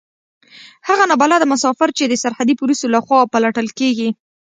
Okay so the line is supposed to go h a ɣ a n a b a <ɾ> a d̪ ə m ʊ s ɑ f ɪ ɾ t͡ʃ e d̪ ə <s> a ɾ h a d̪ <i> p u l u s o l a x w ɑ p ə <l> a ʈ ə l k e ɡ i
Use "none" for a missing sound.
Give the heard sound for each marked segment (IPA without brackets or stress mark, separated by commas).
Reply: l, s, i, l